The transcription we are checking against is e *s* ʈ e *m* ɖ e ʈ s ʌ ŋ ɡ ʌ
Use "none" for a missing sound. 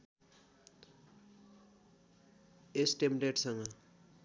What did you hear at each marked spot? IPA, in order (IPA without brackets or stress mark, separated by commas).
s, m